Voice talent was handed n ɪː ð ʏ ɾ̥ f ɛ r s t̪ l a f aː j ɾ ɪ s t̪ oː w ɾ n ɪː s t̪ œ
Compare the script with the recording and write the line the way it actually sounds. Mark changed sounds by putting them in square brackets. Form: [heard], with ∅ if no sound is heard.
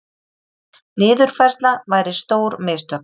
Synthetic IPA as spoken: n ɪː ð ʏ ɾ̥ f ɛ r s t̪ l a [v] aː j ɾ ɪ s t̪ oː w ɾ [m] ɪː s t̪ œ